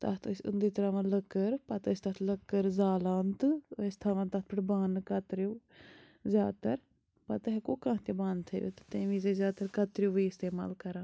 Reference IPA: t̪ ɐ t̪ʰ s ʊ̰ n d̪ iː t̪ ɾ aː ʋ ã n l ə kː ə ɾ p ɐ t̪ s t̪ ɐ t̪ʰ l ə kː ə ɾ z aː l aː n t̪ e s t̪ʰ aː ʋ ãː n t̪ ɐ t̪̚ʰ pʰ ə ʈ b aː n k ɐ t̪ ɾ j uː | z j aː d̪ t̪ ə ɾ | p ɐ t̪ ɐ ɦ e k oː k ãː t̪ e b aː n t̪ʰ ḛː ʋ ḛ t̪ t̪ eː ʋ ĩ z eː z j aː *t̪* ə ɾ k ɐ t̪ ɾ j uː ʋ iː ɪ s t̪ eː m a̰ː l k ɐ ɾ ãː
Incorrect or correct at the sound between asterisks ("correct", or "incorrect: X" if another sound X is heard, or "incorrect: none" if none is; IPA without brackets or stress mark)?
correct